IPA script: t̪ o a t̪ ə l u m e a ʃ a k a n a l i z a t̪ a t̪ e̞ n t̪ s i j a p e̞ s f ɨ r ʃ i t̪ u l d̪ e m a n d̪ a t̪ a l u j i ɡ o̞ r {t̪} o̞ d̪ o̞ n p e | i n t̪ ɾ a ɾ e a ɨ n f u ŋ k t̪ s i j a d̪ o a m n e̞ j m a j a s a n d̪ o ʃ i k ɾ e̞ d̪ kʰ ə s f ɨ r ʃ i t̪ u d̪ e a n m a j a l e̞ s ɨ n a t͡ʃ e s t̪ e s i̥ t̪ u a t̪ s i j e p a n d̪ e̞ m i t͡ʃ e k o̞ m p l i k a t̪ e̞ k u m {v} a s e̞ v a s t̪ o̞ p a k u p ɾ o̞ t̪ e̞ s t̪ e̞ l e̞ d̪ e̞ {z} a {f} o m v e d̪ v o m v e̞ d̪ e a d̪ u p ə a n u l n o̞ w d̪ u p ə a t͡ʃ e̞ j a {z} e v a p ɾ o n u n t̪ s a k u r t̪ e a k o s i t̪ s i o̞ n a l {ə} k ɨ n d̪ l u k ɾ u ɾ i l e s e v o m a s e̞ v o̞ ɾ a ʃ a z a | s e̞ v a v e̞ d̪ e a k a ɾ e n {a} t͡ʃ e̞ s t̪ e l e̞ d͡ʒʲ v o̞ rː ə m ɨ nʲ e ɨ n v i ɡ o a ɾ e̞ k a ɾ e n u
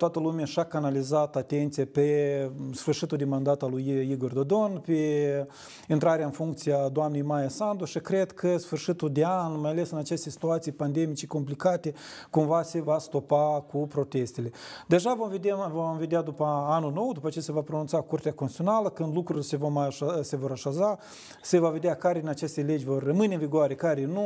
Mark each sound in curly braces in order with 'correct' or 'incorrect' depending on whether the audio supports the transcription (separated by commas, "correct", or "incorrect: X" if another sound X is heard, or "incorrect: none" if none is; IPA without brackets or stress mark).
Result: incorrect: d̪, correct, incorrect: ʒ, incorrect: v, incorrect: s, correct, correct